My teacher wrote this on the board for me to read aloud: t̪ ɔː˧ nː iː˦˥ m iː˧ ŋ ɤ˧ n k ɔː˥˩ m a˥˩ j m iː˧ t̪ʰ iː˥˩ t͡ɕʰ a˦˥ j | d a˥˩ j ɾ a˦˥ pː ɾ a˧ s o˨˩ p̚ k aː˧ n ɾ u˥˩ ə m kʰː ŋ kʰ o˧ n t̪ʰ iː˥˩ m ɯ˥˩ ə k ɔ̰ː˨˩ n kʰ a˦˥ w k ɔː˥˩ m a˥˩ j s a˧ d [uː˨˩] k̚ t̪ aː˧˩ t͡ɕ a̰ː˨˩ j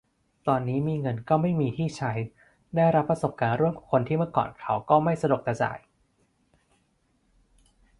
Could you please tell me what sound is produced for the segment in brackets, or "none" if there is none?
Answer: u˨˩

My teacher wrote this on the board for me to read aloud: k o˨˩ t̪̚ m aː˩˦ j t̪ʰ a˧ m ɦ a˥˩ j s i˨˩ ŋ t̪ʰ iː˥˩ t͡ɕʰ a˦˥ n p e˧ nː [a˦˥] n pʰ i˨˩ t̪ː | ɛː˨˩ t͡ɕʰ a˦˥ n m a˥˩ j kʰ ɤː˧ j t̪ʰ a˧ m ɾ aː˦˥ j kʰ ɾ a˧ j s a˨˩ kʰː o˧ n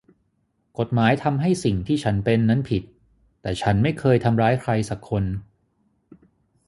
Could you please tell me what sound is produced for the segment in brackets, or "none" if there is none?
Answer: a˦˥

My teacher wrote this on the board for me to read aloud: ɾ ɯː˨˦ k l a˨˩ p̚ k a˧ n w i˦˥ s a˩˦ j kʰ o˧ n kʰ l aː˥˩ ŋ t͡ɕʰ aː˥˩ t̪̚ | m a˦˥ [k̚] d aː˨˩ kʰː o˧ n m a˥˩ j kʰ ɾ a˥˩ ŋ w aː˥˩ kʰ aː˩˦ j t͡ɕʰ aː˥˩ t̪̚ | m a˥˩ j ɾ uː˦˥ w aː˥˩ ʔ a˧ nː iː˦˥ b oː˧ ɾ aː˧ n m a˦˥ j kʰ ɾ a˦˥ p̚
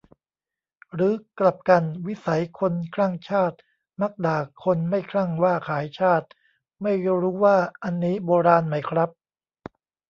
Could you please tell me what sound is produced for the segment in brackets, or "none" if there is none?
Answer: k̚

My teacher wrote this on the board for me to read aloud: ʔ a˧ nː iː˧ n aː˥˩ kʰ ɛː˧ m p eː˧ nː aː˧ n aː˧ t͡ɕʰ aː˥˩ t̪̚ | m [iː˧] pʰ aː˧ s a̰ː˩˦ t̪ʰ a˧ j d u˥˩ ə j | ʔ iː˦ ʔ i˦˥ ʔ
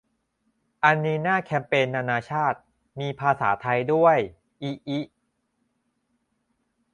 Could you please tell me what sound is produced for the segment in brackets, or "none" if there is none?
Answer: iː˧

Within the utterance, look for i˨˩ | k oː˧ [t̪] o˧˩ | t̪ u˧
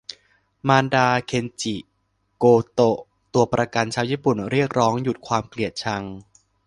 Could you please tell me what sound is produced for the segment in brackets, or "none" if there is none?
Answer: t̪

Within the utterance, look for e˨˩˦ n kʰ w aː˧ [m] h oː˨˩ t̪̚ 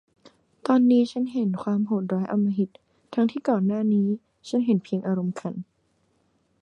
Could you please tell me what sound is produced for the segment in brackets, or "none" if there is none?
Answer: m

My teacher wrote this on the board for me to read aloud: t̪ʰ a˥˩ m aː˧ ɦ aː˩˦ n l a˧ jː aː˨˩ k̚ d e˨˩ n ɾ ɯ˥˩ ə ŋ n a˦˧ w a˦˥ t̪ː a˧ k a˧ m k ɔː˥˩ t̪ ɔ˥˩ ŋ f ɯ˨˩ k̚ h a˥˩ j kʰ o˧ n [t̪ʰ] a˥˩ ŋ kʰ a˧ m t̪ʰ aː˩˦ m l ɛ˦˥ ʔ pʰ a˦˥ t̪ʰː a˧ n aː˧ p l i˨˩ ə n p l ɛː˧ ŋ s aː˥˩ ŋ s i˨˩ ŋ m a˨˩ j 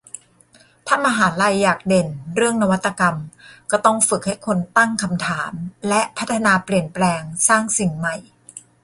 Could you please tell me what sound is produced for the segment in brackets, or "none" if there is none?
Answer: t̪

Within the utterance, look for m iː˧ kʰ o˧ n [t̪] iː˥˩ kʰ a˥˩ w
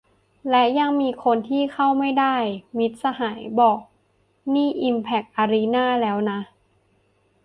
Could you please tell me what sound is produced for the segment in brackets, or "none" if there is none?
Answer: t̪ʰ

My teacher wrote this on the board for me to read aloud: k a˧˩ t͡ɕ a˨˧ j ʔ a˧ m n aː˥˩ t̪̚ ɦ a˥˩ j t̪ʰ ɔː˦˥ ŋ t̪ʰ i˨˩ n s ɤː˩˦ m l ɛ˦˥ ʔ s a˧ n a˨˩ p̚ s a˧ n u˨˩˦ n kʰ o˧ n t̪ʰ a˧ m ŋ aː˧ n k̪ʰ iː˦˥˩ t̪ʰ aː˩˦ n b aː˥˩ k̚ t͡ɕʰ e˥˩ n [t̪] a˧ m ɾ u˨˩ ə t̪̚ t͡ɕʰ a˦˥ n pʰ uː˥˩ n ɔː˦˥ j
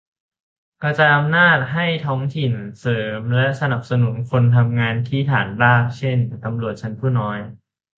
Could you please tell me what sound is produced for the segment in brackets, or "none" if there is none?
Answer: t̪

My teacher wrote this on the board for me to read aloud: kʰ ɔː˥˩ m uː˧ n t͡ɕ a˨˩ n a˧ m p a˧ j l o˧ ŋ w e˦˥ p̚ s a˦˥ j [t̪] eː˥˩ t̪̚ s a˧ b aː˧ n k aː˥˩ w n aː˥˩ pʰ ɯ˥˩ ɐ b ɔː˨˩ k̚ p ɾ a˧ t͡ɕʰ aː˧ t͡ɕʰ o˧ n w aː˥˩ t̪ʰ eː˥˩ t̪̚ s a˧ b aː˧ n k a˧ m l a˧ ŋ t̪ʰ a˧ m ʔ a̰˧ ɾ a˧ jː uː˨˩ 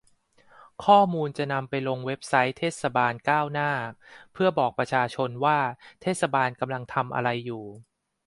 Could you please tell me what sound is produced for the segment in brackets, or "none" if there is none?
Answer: t̪ʰ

